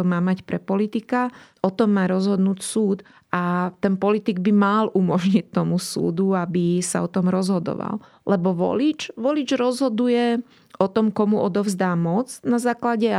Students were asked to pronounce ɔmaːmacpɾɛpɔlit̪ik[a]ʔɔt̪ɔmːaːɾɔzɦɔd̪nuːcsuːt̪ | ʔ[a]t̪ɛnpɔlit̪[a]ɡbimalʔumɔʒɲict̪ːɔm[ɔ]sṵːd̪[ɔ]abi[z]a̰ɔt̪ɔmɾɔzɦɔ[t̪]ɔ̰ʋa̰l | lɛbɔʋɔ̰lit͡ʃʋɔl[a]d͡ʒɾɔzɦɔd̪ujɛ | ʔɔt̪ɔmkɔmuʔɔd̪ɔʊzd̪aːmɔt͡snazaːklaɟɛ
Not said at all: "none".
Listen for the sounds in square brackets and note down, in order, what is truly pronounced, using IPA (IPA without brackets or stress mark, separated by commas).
a, a, i, u, u, s, d̪, i